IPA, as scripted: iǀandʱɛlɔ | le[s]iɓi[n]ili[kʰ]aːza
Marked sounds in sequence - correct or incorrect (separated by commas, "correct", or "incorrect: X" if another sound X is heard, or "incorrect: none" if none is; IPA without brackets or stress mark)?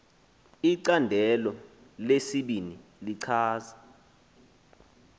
correct, correct, incorrect: ǀʰ